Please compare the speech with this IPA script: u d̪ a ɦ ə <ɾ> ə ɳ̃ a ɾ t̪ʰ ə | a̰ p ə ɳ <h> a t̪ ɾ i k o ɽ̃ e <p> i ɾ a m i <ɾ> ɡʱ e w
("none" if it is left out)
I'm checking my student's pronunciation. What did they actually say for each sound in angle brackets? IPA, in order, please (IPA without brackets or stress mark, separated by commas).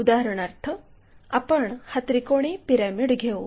ɾ, h, p, ɽ